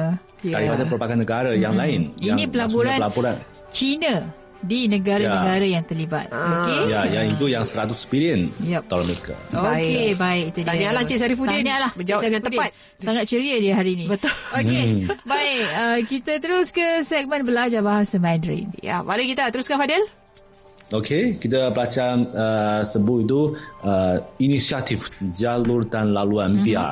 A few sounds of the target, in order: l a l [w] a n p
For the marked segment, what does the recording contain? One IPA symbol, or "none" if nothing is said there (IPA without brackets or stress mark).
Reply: u